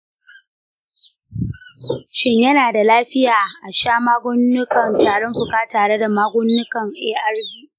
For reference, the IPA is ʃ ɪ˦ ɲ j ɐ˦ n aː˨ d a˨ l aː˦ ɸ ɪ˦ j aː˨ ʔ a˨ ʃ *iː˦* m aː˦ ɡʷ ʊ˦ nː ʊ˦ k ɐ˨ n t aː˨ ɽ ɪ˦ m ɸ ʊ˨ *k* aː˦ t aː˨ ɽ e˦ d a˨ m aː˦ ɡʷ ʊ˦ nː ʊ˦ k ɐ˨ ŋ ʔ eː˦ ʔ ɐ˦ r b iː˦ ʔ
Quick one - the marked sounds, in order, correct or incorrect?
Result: incorrect, correct

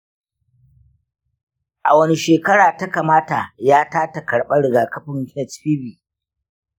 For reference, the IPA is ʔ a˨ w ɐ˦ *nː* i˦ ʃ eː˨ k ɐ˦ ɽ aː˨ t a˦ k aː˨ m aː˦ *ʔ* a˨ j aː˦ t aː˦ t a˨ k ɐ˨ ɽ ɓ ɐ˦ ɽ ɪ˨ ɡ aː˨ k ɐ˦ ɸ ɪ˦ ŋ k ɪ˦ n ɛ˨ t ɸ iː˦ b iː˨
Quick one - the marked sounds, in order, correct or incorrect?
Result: incorrect, incorrect

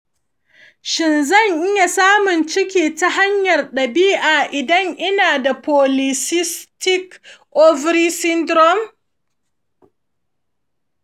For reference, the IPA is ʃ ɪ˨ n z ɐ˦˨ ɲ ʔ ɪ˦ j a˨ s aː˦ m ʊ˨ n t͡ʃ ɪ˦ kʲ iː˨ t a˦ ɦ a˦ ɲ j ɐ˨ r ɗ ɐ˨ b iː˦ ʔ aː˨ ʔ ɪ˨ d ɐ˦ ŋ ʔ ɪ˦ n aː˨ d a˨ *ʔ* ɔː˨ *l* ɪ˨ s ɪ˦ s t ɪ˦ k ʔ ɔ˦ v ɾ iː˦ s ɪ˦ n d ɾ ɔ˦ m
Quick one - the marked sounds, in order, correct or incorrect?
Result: incorrect, correct

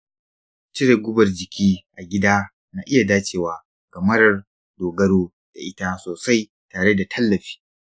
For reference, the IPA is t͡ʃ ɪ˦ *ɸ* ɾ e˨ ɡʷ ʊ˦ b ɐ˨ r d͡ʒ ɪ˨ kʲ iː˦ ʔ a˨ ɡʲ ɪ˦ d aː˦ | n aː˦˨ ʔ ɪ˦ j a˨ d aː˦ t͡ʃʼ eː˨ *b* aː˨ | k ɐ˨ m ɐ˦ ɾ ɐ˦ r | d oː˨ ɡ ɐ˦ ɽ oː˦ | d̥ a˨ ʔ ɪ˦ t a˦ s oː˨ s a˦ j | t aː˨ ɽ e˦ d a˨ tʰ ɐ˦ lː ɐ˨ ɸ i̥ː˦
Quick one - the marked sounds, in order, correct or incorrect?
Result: incorrect, incorrect

